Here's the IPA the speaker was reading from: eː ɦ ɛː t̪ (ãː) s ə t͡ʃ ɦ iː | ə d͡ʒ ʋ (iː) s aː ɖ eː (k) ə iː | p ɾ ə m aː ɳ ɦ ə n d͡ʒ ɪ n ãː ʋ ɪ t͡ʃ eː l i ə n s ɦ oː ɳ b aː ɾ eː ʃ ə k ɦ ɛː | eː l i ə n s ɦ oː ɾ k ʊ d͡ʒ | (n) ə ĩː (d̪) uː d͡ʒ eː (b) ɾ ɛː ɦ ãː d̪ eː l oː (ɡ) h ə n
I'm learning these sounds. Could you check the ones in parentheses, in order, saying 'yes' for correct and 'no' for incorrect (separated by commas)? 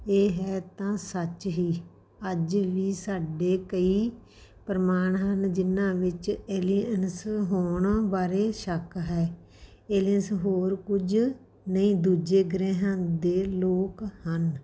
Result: yes, yes, yes, yes, yes, no, no